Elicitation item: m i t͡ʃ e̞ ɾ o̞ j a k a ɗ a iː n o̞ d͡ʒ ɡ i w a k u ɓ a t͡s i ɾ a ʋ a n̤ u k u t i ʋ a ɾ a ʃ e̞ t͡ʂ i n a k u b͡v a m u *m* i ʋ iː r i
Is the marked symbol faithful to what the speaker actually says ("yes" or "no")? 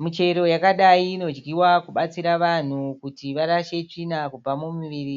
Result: yes